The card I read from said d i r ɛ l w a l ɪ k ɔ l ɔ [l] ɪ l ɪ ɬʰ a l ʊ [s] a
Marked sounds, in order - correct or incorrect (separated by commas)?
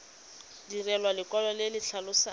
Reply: correct, correct